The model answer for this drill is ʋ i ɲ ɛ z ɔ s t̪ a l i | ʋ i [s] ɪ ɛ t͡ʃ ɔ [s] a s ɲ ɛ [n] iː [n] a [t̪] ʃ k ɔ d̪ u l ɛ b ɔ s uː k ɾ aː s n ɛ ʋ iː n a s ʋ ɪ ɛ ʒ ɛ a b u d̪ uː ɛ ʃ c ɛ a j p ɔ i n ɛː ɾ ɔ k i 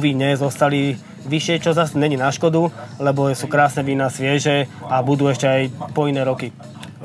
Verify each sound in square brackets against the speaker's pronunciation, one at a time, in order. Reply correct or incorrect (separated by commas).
incorrect, incorrect, incorrect, correct, incorrect